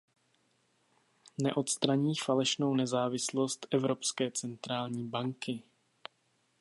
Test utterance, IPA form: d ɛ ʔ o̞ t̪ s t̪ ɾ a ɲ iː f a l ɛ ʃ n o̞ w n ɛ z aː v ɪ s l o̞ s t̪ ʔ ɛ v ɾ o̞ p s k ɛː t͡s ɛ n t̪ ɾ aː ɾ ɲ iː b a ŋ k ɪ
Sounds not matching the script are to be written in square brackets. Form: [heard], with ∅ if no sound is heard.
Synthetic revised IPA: [n] ɛ ʔ o̞ t̪ s t̪ ɾ a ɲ iː f a l ɛ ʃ n o̞ w n ɛ z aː v ɪ s l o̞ s t̪ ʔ ɛ v ɾ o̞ p s k ɛː t͡s ɛ n t̪ ɾ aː [l] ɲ iː b a ŋ k ɪ

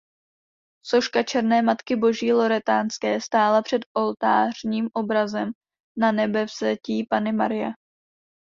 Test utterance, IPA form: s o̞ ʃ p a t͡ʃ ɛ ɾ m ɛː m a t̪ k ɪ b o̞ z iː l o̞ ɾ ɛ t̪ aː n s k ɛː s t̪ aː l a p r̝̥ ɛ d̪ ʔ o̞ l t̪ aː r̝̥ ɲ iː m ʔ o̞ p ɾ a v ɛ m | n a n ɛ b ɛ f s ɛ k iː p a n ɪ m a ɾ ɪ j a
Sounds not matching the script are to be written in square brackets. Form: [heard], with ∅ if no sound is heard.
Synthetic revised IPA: s o̞ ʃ [k] a t͡ʃ ɛ ɾ [n] ɛː m a t̪ k ɪ b o̞ [ʒ] iː l o̞ ɾ ɛ t̪ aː n s k ɛː s t̪ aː l a p r̝̥ ɛ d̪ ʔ o̞ l t̪ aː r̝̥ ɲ iː m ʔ o̞ [b] ɾ a [z] ɛ m | n a n ɛ b ɛ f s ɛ [c] iː p a n ɪ m a ɾ ɪ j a

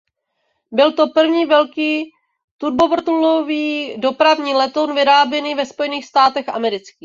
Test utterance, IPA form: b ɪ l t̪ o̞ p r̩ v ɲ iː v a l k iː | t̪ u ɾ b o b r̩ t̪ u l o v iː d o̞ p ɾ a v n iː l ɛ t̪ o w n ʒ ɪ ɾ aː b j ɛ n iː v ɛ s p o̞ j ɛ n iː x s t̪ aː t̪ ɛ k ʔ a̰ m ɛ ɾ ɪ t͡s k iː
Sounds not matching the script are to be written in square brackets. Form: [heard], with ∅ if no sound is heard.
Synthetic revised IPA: b ɪ l t̪ o̞ p r̩ v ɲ iː v [ɛ] l k iː | t̪ u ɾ b o [v] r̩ t̪ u l o v iː d o̞ p ɾ a v [ɲ] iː l ɛ t̪ o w n [v] ɪ ɾ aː b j ɛ n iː v ɛ s p o̞ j ɛ n iː x s t̪ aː t̪ ɛ [x] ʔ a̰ m ɛ ɾ ɪ t͡s k iː

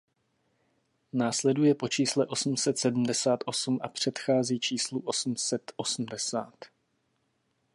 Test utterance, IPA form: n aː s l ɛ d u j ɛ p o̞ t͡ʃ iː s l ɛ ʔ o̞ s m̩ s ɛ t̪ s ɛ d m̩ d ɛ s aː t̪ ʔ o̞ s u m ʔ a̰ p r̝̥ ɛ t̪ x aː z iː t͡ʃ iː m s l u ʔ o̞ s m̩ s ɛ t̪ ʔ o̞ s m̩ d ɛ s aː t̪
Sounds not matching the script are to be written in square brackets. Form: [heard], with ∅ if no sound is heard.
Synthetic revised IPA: n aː s l ɛ d u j ɛ p o̞ t͡ʃ iː s l ɛ ʔ o̞ s m̩ s ɛ t̪ s ɛ d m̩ d ɛ s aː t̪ ʔ o̞ s u m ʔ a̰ p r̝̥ ɛ t̪ x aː z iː t͡ʃ iː [∅] s l u ʔ o̞ s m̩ s ɛ t̪ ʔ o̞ s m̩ d ɛ s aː t̪

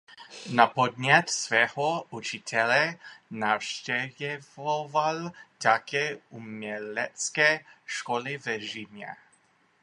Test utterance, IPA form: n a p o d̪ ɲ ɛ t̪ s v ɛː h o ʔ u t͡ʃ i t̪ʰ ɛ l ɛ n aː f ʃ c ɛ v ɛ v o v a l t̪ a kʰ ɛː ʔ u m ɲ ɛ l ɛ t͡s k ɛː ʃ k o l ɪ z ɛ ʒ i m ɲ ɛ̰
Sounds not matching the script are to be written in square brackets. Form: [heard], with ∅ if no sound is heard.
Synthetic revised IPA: n a p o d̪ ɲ ɛ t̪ s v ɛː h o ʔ u t͡ʃ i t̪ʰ ɛ l ɛ n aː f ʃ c ɛ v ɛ v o v a l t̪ a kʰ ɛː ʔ u m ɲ ɛ l ɛ t͡s k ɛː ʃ k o l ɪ [v] ɛ ʒ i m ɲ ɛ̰

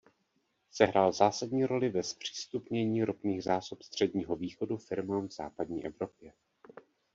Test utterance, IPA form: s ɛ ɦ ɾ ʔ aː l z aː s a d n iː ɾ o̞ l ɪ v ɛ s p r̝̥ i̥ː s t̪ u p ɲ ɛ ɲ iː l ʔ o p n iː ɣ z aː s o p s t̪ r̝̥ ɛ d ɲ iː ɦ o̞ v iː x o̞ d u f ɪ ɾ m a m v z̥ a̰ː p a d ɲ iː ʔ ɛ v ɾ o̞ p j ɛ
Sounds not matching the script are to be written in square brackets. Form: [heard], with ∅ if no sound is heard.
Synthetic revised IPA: s ɛ ɦ ɾ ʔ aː l z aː s a d [ɲ] iː ɾ o̞ l ɪ v ɛ s p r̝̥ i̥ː s t̪ u p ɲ ɛ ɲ iː [ɾ] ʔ o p n iː ɣ z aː s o p s t̪ r̝̥ ɛ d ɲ iː ɦ o̞ v iː x o̞ d u f ɪ ɾ m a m v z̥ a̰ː p a d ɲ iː ʔ ɛ v ɾ o̞ p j ɛ

